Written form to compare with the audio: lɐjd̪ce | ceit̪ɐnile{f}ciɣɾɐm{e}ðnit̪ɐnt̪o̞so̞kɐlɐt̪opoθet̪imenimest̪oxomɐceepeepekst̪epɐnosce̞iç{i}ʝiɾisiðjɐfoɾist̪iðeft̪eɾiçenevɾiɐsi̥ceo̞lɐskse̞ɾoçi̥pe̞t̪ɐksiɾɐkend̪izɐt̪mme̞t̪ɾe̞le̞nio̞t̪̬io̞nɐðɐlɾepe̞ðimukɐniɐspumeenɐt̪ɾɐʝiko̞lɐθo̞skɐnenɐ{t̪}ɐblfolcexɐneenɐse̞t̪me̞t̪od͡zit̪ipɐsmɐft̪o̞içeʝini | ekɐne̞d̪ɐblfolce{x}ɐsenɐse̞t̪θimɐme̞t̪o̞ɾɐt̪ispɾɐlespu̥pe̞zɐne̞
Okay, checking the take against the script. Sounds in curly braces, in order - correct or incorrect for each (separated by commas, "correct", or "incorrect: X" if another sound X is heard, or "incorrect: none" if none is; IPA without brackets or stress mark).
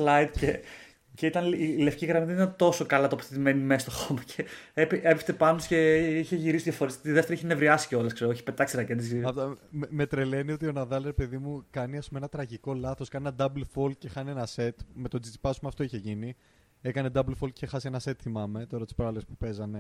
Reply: correct, incorrect: i, incorrect: e, incorrect: d̪, correct